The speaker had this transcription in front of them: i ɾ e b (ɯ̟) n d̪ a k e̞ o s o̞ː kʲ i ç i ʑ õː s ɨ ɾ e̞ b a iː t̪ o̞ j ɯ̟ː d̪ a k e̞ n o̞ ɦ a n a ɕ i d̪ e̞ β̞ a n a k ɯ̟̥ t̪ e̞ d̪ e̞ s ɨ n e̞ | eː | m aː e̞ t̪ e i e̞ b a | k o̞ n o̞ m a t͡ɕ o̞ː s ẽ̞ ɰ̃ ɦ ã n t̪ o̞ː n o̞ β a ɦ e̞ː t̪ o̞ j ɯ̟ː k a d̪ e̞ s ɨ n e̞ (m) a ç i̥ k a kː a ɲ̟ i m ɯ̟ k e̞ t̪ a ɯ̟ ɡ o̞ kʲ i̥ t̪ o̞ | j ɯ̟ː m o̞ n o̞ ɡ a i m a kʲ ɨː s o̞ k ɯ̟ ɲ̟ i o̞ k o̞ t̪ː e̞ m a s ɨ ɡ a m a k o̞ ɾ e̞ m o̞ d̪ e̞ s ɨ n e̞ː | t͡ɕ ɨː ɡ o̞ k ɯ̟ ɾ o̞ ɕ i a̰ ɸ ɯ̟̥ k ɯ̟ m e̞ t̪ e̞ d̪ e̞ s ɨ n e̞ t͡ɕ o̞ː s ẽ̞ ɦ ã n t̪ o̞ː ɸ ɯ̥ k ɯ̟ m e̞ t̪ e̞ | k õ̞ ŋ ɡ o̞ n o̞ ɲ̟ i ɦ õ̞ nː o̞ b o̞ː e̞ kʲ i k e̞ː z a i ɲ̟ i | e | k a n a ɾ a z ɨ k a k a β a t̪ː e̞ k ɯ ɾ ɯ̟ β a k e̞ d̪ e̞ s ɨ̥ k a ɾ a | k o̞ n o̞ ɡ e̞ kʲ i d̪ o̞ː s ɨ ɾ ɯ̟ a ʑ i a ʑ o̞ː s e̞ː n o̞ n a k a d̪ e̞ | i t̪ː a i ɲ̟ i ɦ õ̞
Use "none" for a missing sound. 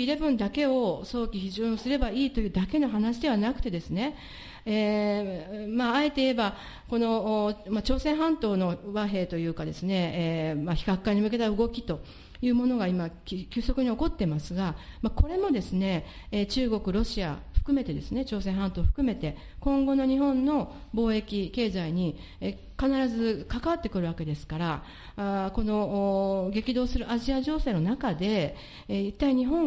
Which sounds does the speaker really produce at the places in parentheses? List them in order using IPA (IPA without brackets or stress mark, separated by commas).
ɯ̟̃, m